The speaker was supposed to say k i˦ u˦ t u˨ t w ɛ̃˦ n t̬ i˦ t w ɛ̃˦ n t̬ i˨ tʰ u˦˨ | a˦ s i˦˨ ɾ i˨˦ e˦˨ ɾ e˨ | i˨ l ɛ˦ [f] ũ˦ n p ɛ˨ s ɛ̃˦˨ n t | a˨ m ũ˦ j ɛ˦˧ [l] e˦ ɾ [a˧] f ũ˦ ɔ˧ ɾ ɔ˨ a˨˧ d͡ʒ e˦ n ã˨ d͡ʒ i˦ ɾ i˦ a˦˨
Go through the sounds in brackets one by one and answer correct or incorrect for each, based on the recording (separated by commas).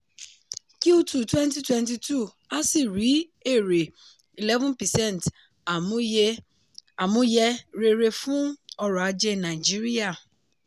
incorrect, incorrect, incorrect